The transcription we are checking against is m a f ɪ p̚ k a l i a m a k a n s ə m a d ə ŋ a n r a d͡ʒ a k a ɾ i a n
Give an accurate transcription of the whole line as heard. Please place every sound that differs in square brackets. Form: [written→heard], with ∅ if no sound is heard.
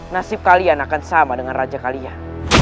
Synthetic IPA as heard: [m→n] a [f→s] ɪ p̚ k a l i a [m→n] a k a n s [ə→a] m a d ə ŋ a n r a d͡ʒ a k a [ɾ→l] i a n